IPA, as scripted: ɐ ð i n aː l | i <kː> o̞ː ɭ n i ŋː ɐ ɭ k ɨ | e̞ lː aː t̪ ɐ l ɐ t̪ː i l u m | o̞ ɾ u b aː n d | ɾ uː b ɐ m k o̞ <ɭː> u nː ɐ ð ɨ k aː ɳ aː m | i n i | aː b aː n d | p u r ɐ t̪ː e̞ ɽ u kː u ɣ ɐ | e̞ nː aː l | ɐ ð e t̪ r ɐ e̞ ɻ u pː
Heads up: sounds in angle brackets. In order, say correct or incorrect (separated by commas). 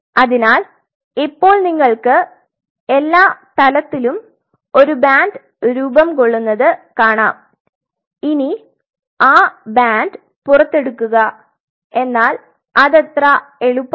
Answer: incorrect, correct